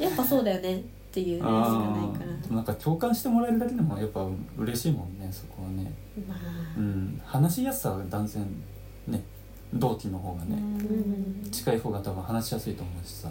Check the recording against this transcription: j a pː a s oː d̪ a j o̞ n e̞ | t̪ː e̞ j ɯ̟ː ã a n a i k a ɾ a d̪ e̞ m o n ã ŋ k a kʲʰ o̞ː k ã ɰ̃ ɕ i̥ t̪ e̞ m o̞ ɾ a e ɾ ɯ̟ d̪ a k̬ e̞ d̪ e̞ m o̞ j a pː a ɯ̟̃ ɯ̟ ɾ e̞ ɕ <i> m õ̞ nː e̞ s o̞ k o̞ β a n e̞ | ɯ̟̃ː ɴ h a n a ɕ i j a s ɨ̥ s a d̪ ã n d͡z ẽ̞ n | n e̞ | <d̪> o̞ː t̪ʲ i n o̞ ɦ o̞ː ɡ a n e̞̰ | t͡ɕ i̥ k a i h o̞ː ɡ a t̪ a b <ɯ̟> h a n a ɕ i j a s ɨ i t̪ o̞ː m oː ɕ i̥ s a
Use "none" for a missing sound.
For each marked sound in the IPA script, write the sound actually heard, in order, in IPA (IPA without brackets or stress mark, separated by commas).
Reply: iː, d̪, ɯ̟̃